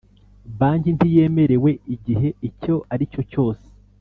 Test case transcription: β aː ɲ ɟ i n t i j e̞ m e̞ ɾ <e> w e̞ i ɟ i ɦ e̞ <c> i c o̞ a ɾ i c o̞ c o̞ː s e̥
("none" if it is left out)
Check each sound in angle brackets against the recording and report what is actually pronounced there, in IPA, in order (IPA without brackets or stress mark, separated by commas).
e, none